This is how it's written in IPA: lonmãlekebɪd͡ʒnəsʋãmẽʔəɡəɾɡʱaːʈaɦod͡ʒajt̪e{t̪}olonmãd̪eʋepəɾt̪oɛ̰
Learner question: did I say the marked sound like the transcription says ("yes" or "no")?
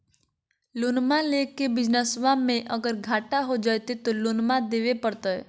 yes